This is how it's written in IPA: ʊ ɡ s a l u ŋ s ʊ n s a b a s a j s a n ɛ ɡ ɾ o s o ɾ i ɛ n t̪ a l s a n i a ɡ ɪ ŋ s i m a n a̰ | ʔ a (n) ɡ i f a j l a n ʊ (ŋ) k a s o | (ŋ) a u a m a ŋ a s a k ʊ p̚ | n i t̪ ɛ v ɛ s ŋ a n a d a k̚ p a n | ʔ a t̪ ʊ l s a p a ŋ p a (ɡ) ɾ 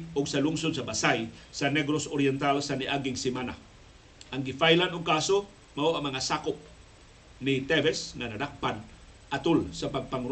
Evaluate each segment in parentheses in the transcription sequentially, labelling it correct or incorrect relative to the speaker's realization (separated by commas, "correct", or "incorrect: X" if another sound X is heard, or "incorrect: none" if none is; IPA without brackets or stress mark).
incorrect: ŋ, correct, incorrect: m, incorrect: ŋ